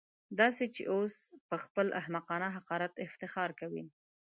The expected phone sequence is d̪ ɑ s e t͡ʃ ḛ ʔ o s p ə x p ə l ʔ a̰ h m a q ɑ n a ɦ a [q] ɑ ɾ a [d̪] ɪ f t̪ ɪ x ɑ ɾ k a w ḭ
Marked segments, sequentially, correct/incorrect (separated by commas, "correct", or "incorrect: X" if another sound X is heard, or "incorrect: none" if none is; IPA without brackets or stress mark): correct, incorrect: t̪